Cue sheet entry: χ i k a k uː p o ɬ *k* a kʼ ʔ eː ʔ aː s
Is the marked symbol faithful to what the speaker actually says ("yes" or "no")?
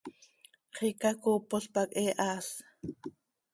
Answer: no